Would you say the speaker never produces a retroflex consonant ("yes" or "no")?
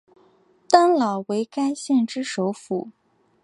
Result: no